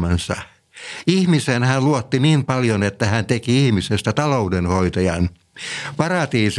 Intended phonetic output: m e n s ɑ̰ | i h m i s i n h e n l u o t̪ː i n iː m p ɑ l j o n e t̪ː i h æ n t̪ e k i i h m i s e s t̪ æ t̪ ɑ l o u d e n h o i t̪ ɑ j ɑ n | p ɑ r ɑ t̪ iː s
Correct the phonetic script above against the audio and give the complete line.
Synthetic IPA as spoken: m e n s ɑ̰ | i h m i s e n h æ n l u o t̪ː i n iː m p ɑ l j o n e t̪ː æ h æ n t̪ e k i i h m i s e s t̪ æ t̪ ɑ l o u d e n h o i t̪ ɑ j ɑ n | p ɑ r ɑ t̪ iː s